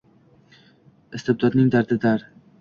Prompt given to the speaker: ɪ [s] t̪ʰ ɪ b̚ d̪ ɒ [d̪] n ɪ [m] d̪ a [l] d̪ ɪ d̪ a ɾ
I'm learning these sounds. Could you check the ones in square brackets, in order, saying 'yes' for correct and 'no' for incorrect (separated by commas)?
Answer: yes, yes, no, no